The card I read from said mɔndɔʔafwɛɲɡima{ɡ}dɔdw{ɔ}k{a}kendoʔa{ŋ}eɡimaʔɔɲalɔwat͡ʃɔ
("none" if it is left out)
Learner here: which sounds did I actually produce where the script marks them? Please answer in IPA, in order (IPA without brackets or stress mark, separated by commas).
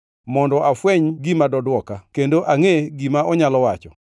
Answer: none, ɔ, a, ŋ